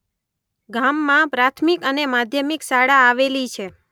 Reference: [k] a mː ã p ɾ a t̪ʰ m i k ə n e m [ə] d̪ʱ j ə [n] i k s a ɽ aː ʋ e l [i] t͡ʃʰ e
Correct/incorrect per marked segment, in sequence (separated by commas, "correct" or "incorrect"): incorrect, incorrect, incorrect, correct